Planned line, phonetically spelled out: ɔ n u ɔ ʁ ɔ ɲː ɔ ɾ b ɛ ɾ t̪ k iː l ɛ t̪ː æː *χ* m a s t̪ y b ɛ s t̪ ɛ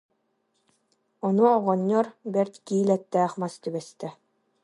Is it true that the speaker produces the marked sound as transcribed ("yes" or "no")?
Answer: yes